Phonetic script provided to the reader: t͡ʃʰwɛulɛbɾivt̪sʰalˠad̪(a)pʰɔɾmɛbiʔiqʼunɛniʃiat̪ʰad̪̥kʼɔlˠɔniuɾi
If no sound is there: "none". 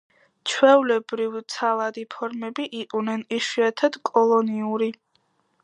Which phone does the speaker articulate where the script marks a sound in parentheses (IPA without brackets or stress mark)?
i